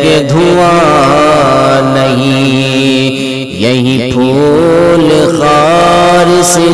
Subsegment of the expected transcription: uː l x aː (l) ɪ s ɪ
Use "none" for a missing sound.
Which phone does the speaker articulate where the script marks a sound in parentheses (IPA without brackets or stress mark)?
ɾ